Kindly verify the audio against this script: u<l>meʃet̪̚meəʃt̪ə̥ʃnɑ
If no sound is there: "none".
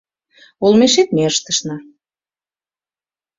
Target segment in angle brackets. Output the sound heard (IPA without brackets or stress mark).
l